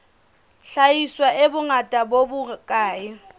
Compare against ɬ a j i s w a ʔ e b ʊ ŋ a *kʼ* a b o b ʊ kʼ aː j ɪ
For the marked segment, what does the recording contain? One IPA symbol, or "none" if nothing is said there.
tʼ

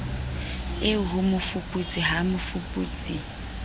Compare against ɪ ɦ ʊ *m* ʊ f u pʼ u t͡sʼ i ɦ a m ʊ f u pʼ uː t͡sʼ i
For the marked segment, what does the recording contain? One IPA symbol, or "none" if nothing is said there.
m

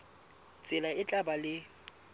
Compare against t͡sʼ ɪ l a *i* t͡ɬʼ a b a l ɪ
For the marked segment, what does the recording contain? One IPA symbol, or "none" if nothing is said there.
ɪ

